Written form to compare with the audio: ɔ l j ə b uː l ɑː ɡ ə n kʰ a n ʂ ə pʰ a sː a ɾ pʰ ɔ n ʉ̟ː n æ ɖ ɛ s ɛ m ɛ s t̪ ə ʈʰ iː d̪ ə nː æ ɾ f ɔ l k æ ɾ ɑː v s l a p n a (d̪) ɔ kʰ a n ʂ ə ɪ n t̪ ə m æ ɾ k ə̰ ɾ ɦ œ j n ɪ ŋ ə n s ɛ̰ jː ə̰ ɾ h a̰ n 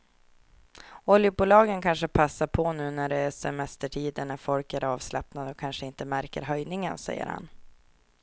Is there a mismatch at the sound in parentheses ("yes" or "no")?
no